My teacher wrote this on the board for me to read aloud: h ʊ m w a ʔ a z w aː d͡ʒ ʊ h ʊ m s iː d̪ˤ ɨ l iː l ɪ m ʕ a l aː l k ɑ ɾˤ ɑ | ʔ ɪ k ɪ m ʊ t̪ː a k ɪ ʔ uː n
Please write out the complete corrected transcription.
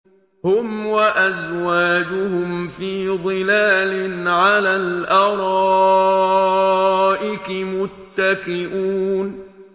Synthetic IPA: h ʊ m w a ʔ a z w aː d͡ʒ ʊ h ʊ m f iː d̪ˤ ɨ l aː l ɪ n ʕ a l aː l ʔ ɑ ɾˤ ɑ | ʔ ɪ k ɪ m ʊ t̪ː a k ɪ ʔ uː n